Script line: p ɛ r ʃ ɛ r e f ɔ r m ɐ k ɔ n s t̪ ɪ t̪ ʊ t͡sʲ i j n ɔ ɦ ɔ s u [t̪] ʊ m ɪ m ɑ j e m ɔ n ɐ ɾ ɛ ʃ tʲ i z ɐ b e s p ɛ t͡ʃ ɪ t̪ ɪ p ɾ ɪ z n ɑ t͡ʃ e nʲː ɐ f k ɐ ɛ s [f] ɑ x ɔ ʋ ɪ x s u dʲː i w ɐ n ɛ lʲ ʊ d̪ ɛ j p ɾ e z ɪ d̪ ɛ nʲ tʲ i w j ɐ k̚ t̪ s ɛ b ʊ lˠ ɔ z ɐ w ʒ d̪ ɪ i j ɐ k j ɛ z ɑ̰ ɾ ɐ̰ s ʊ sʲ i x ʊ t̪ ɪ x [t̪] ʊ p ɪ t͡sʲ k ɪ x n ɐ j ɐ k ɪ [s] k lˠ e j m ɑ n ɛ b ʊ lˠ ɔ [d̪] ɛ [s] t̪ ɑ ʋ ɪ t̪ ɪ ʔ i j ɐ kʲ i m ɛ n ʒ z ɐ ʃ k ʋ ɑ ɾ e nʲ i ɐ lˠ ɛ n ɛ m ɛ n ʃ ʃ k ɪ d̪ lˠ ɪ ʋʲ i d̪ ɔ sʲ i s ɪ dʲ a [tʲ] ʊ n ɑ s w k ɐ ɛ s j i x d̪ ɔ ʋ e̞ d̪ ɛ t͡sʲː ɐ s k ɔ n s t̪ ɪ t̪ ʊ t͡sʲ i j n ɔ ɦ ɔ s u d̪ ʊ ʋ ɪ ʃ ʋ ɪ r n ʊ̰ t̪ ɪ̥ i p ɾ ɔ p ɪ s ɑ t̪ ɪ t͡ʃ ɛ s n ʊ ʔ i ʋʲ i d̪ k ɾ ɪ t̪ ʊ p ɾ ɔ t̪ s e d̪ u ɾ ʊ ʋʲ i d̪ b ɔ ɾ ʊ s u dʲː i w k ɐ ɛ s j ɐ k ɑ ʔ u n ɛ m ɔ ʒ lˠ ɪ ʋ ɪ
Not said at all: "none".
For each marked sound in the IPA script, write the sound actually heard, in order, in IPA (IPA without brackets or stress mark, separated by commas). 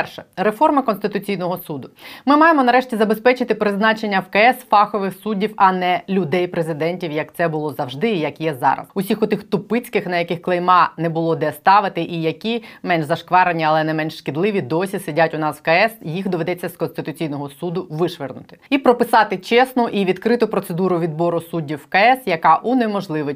d̪, f, t̪, x, d̪, s, tʲ